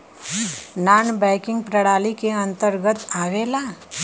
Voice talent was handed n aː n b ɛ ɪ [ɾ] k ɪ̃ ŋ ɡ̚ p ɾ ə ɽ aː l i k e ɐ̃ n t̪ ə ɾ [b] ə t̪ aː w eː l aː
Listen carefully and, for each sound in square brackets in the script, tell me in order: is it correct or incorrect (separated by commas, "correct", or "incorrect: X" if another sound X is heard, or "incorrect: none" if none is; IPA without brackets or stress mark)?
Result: incorrect: none, incorrect: ɡ